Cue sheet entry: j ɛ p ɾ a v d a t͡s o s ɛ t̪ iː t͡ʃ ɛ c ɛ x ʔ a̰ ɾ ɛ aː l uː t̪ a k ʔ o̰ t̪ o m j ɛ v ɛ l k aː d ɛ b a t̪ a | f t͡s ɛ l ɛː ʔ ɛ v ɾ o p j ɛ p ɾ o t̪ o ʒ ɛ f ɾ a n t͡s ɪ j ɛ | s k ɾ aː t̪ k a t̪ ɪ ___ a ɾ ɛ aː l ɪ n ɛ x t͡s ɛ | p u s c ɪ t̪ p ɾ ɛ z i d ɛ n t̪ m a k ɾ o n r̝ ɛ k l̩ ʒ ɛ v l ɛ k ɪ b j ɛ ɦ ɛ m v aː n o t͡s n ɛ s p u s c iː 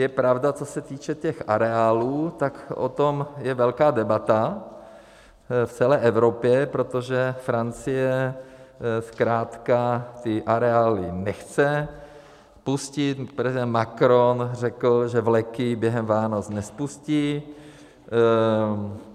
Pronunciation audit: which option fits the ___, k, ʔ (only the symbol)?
ʔ